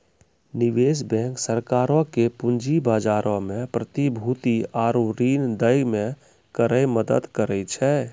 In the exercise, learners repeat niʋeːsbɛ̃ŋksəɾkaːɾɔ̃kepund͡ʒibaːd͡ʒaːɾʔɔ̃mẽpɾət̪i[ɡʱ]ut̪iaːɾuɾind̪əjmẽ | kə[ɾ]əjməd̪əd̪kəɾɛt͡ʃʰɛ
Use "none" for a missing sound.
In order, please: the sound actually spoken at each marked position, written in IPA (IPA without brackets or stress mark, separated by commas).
bʱ, ɾ